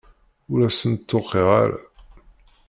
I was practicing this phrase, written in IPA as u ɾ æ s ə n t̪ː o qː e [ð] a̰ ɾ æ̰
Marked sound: incorrect: ʁ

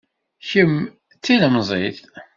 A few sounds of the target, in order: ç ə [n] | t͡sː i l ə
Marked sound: incorrect: m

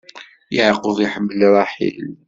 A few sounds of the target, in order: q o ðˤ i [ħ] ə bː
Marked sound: correct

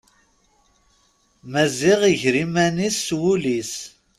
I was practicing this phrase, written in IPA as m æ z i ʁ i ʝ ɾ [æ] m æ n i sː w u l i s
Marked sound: incorrect: i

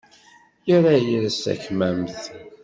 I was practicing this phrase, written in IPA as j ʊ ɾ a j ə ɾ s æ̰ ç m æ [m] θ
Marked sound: correct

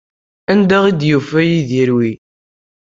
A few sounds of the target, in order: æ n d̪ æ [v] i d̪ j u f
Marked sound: incorrect: ʁ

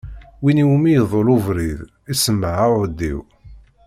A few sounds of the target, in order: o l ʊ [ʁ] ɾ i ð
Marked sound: incorrect: v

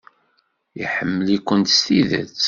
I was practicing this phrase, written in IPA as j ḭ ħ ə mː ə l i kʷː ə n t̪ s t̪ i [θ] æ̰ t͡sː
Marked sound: incorrect: ð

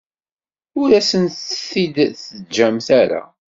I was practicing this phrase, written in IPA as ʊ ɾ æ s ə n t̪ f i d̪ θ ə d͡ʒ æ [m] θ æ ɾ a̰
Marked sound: correct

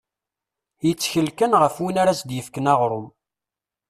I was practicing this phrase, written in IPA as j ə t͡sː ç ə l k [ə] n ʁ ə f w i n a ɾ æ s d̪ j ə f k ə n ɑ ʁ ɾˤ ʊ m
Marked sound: correct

